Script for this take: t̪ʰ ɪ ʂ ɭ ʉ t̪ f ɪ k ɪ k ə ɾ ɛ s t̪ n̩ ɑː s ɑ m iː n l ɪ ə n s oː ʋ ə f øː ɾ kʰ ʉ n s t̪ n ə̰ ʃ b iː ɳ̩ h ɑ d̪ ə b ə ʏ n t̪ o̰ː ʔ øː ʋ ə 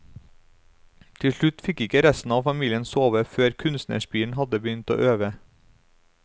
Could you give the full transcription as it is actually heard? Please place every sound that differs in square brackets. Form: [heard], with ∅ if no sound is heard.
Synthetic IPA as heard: t̪ʰ ɪ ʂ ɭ ʉ t̪ f ɪ k ɪ k ə ɾ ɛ s t̪ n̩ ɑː [f] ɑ m iː [∅] l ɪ ə n s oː ʋ ə f øː ɾ kʰ ʉ n s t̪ n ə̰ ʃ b iː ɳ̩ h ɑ d̪ ə b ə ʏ n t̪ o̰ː ʔ øː ʋ ə